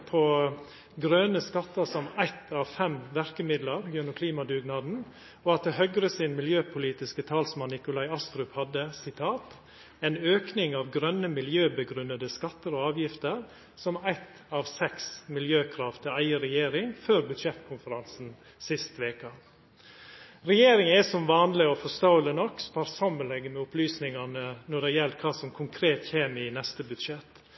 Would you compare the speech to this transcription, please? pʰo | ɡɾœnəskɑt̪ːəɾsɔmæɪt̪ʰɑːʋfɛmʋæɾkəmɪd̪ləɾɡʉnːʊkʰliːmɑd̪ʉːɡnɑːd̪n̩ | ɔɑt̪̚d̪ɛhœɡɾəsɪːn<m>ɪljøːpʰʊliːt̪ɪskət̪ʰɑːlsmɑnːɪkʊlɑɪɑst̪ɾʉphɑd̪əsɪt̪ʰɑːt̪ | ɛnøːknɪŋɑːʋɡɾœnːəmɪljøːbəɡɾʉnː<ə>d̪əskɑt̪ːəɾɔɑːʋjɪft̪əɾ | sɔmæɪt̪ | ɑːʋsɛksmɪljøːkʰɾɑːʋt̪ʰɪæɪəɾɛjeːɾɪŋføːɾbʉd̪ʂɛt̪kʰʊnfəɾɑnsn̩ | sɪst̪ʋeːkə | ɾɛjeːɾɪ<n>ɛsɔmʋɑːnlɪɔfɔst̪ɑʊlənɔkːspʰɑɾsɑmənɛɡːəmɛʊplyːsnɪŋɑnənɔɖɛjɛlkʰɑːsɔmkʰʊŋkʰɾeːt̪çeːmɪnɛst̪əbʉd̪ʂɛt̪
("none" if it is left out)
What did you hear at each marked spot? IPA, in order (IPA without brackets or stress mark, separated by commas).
m, ə, ŋ